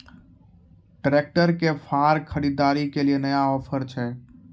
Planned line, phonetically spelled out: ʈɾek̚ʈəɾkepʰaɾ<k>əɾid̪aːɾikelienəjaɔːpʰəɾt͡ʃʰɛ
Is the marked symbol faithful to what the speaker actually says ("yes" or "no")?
no